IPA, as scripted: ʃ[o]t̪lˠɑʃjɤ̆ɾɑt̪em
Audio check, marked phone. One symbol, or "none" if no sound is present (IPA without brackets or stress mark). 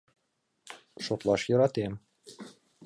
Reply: o